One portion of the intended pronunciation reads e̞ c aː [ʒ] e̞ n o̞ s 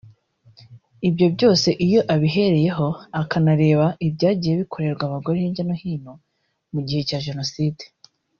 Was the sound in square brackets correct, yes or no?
yes